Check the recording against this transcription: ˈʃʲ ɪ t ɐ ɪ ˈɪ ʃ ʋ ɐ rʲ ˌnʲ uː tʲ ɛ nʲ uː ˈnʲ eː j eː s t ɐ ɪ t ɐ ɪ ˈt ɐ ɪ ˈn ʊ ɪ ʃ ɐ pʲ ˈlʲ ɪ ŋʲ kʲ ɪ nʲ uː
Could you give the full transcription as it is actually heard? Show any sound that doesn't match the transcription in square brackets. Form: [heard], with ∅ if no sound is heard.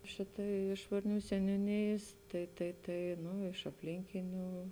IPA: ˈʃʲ ɪ t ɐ ɪ ˈɪ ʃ ʋ ɐ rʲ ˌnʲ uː [sʲ] ɛ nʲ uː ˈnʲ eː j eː s t ɐ ɪ t ɐ ɪ ˈt ɐ ɪ ˈn ʊ ɪ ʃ ɐ pʲ ˈlʲ ɪ ŋʲ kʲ ɪ nʲ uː